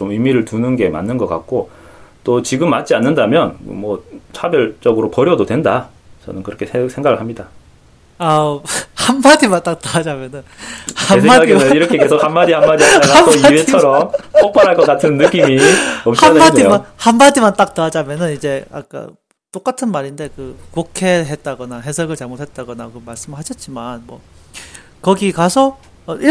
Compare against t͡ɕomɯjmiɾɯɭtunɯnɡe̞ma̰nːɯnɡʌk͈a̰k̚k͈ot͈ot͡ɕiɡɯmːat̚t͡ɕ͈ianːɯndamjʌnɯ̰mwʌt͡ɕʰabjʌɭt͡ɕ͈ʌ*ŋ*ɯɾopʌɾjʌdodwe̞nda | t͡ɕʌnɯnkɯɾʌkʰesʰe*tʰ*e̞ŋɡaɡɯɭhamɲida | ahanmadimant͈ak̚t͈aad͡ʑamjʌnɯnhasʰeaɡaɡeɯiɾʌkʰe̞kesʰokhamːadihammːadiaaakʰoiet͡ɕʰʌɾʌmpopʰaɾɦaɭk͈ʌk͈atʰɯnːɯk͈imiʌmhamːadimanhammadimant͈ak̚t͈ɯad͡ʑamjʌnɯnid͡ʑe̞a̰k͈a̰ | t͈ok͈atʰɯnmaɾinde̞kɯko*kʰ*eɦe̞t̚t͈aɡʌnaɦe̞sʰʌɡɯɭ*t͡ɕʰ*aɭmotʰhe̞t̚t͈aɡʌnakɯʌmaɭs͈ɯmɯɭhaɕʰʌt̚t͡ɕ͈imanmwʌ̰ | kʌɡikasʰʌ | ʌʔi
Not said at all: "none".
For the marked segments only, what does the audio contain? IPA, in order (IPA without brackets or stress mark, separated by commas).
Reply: ɡ, sʰ, kʰ, t͡ɕ